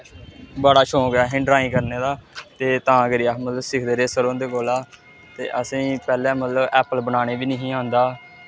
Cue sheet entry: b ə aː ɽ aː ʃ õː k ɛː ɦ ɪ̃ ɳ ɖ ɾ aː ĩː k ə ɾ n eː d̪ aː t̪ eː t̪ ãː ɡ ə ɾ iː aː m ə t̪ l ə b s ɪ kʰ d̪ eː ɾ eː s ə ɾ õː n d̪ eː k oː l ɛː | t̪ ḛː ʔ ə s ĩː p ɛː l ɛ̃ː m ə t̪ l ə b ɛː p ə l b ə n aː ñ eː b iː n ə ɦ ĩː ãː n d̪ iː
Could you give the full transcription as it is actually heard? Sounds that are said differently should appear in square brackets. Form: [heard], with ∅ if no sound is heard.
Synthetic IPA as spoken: b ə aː ɽ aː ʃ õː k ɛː ɦ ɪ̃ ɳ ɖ ɾ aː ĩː k ə ɾ n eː d̪ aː t̪ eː t̪ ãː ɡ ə ɾ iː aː m ə t̪ l ə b s ɪ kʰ d̪ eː ɾ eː s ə ɾ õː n d̪ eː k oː l [aː] | t̪ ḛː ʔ ə s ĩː p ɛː l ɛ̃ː m ə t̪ l ə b ɛː p ə l b ə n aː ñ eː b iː n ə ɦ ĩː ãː n d̪ [aː]